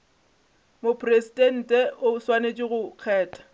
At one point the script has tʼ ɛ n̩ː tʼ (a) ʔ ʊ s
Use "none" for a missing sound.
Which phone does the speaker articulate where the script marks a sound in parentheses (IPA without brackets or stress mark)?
ɛ